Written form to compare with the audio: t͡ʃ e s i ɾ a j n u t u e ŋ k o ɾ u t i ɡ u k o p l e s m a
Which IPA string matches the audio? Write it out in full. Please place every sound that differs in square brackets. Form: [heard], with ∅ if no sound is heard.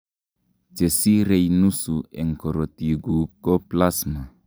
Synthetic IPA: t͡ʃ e s i ɾ [e] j n u [s] u e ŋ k o ɾ [o] t i ɡ u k o p l [a] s m a